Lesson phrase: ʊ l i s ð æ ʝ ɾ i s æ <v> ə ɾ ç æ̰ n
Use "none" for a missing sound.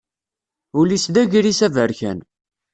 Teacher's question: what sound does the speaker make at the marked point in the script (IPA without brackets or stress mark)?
v